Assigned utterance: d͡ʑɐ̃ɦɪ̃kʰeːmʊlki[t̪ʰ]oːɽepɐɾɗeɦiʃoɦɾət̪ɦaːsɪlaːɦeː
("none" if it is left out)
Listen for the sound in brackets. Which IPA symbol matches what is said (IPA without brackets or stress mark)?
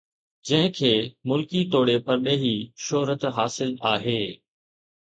t̪